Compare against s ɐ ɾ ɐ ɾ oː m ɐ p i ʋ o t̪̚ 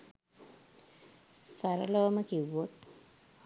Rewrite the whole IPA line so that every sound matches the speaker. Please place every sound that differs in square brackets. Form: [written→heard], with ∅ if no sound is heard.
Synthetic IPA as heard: s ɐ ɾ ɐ [ɾ→l] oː m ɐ [p→k] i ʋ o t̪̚